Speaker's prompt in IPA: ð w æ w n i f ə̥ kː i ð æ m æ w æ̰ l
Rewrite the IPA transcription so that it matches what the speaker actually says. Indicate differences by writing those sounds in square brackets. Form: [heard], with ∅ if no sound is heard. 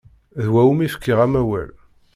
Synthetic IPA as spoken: ð w æ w [m] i f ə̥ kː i [ʁ] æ m æ w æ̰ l